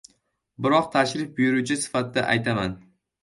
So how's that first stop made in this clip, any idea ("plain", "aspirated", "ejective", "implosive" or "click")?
plain